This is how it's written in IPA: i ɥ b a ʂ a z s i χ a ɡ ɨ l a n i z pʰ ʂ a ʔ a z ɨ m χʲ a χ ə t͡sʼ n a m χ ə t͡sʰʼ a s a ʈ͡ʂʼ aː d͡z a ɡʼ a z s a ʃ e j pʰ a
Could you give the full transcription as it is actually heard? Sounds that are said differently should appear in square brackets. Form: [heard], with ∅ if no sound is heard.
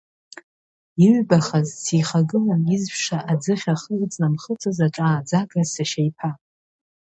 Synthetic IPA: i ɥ b a [χ] a z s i χ a ɡ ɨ l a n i z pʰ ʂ a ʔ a [d͡z] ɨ [∅] χʲ a χ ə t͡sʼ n a m χ ə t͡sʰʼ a [z] a ʈ͡ʂʼ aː d͡z a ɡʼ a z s a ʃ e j pʰ a